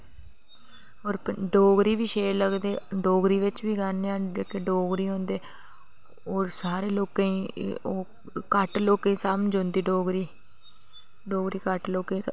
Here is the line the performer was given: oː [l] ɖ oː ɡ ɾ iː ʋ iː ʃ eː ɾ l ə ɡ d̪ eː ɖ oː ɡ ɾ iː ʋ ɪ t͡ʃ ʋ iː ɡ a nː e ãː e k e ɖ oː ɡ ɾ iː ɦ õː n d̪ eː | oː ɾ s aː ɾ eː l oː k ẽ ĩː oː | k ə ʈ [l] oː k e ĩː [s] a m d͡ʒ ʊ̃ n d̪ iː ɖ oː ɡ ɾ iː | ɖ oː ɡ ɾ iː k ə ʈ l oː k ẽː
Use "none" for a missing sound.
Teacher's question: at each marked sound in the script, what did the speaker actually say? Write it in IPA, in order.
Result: ɾ, l, s

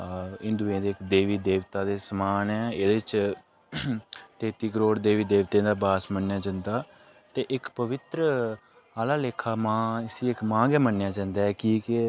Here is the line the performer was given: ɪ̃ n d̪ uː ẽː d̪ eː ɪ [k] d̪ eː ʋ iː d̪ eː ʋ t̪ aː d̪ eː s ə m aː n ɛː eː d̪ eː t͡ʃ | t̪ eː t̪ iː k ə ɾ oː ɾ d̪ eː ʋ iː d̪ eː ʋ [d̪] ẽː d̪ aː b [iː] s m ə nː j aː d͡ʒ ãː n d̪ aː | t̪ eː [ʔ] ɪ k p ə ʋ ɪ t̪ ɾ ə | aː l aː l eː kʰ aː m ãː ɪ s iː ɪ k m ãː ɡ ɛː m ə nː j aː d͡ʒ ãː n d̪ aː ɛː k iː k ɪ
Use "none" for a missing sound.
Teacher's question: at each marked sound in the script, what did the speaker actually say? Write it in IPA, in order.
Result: k, t̪, aː, ʔ

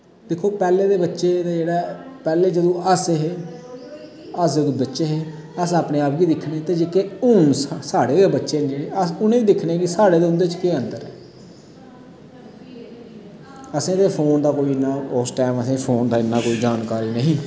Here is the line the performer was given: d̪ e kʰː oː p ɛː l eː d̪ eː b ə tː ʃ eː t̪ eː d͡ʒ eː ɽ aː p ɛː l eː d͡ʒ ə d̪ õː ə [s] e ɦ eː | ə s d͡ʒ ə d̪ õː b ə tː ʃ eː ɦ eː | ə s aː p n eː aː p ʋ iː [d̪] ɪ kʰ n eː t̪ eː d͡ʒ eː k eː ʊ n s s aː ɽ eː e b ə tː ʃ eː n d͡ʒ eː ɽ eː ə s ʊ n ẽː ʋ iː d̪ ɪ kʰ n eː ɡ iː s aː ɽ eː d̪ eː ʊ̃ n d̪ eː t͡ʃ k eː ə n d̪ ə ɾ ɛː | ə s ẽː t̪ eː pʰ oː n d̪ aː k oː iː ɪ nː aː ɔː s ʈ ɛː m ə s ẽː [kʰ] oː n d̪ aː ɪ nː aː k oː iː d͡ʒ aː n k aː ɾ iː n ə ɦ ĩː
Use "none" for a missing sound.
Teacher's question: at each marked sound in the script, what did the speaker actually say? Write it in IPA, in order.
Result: s, d̪, pʰ

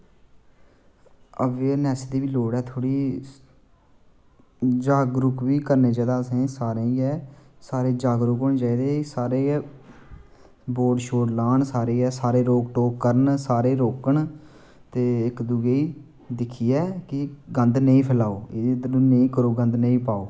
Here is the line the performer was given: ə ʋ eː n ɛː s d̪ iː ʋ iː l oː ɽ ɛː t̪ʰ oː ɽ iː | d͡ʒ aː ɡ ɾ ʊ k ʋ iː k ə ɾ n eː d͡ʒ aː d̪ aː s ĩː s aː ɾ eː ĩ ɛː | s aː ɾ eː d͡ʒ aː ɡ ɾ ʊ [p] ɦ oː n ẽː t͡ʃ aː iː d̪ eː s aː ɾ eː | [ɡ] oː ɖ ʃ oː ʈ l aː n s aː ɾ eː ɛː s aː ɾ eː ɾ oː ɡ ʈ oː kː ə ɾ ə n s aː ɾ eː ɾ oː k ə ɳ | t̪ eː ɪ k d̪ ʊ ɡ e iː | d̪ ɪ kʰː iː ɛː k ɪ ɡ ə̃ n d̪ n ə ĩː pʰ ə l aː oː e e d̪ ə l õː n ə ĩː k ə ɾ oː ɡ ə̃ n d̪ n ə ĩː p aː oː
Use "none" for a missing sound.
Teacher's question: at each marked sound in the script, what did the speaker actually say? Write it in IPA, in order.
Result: k, b

